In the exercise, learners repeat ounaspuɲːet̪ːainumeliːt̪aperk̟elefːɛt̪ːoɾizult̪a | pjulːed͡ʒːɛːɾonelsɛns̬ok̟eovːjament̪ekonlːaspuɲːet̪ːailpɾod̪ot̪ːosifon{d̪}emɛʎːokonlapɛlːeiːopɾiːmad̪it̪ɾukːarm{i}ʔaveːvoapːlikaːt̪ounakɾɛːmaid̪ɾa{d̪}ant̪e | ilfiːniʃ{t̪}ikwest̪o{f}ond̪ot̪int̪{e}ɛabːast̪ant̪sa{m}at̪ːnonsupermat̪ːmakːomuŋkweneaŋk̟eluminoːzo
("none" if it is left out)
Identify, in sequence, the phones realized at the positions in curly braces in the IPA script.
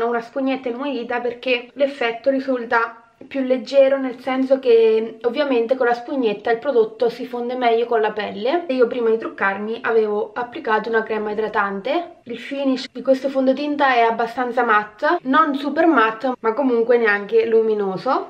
d̪, i, t̪, d̪, f, a, m

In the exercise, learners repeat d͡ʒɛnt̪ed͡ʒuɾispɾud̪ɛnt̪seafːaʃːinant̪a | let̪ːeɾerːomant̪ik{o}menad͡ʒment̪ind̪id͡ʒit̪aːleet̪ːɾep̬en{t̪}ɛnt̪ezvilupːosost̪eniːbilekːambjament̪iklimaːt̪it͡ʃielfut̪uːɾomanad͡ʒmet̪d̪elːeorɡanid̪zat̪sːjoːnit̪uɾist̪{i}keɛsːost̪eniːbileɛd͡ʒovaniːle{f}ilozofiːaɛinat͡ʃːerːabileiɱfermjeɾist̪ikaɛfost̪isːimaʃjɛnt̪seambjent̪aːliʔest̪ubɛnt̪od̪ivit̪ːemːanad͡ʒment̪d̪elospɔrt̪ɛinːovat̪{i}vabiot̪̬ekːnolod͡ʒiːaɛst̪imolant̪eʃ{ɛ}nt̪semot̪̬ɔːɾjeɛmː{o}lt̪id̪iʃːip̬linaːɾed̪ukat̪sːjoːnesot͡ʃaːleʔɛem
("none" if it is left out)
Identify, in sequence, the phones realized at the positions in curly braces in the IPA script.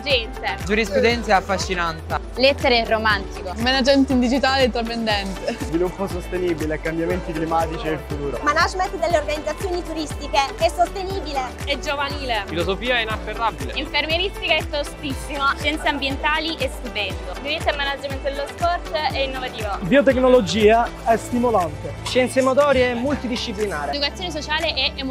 o, d̪, i, f, iː, ɛ, u

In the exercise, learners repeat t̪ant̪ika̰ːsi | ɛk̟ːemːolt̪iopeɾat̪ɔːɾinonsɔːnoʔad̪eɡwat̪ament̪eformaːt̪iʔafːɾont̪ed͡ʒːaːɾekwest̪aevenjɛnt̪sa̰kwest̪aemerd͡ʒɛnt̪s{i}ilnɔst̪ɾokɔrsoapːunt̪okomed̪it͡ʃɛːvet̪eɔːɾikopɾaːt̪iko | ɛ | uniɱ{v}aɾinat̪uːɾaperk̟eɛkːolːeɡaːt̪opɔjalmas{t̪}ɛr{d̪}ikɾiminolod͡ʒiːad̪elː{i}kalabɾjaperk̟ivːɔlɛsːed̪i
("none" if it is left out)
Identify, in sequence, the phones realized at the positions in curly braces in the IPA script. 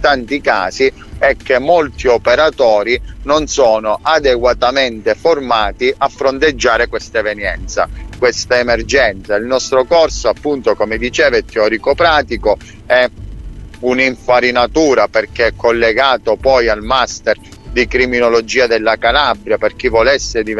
a, f, t̪, d̪, a

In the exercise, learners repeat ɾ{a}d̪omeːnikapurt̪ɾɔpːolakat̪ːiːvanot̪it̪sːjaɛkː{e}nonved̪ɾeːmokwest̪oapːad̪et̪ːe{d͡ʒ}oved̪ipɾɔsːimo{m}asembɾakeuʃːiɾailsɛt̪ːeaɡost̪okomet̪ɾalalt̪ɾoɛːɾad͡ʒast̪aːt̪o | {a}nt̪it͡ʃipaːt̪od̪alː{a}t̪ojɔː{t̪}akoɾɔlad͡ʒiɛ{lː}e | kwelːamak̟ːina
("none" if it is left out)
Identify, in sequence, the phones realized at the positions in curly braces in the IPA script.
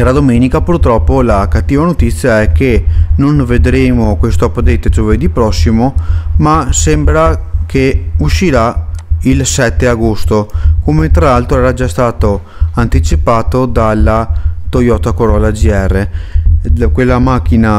a, e, d͡ʒ, m, a, a, t̪, rː

